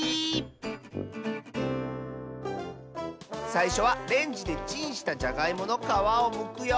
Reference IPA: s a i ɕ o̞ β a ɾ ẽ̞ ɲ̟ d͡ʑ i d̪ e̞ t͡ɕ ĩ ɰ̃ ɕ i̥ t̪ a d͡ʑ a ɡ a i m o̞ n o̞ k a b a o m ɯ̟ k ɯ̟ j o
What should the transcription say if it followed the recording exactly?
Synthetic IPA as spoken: s a i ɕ o̞ β a ɾ ẽ̞ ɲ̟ d͡ʑ i d̪ e̞ t͡ɕ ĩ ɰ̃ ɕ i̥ t̪ a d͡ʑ a ɡ a i m o̞ n o̞ k a β a o m ɯ̟ k ɯ̟ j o